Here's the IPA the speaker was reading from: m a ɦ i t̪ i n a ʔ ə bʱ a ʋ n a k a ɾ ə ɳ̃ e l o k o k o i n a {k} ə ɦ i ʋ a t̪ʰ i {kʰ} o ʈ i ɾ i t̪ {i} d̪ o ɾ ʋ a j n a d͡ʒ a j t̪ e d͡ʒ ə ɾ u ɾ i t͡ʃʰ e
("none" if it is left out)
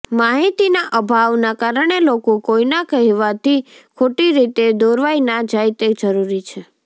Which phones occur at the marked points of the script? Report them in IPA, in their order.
k, kʰ, e

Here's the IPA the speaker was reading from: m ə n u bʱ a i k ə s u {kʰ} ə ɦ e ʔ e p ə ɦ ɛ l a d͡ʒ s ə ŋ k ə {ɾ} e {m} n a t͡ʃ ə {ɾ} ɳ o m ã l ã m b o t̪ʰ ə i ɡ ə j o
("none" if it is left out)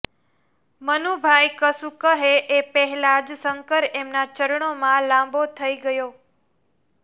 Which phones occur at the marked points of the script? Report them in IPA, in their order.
k, ɾ, m, ɾ

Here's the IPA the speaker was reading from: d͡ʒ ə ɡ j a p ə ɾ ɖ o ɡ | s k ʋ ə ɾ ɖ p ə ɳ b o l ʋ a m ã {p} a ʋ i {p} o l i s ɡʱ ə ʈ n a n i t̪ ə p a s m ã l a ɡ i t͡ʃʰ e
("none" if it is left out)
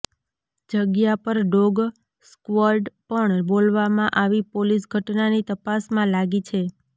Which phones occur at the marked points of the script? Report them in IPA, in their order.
ʔ, p

